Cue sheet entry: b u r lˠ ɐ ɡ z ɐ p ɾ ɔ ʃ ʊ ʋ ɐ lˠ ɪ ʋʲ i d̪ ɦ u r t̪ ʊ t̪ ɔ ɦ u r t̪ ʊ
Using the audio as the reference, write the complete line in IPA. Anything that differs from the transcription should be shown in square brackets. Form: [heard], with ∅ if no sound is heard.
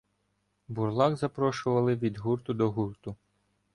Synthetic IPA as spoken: b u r lˠ [ɑ] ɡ z ɐ p ɾ ɔ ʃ ʊ ʋ ɐ lˠ ɪ ʋʲ i d̪ ɦ u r t̪ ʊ [d̪] ɔ ɦ u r t̪ ʊ